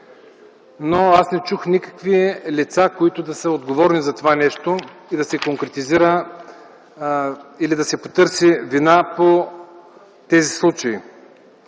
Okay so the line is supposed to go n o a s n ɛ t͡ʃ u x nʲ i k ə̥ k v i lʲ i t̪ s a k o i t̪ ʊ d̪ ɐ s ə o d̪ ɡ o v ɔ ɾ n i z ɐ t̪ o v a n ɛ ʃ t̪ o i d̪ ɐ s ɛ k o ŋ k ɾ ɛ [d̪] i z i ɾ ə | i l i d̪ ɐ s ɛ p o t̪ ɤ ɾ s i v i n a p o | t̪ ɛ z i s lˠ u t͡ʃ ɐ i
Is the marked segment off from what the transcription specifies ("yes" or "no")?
yes